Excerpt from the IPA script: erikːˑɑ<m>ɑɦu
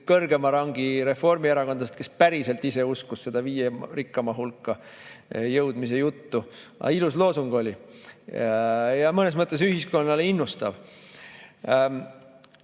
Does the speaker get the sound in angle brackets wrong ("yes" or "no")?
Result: no